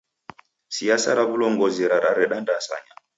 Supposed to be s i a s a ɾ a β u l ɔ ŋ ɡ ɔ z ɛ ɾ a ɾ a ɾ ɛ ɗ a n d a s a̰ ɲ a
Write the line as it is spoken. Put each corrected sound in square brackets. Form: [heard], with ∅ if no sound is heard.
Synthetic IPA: s i a s a ɾ a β u l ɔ ŋ ɡ ɔ z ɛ ɾ a ɾ a ɾ ɛ ɗ a n d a s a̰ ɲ a